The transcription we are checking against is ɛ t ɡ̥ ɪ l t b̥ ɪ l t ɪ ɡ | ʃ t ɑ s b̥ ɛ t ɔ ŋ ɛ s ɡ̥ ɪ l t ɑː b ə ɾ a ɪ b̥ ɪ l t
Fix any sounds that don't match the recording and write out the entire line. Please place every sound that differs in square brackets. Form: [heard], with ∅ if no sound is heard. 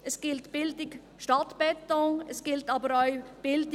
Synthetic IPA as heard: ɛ [s] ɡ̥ ɪ l t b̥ ɪ l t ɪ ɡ | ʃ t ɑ [t] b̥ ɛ t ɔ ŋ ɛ s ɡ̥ ɪ l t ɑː b ə ɾ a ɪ b̥ ɪ l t